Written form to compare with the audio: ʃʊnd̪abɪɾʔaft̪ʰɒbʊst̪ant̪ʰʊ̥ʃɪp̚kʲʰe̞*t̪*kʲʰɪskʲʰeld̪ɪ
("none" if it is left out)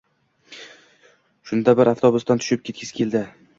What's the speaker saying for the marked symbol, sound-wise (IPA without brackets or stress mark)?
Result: t̪